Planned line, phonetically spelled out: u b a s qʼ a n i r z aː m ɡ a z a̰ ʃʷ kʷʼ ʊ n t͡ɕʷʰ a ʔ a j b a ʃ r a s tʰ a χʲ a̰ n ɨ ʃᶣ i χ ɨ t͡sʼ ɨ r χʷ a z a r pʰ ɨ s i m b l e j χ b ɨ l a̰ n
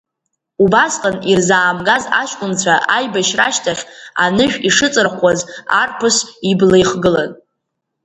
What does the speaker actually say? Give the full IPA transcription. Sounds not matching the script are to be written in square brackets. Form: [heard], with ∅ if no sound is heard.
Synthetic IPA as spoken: u b a s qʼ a n i r z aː m ɡ a z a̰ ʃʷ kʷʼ ʊ n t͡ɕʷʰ a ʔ a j b a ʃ r a [ʃ] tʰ a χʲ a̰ n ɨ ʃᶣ i [ʂ] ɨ t͡sʼ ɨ r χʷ a z a r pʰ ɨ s i [∅] b l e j χ [ɡ] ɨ l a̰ n